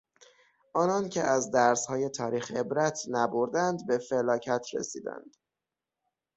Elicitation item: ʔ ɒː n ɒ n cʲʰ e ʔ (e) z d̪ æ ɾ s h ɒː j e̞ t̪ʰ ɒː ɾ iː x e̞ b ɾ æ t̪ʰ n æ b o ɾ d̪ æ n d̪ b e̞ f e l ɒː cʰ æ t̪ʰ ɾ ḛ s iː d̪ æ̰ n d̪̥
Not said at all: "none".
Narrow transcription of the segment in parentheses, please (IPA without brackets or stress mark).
æ